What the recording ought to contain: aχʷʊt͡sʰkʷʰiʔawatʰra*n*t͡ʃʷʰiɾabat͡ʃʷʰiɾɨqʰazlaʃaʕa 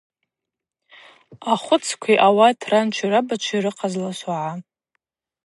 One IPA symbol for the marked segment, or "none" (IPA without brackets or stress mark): n